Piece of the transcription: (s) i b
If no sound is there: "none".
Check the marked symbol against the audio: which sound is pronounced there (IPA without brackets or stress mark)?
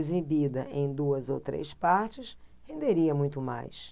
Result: z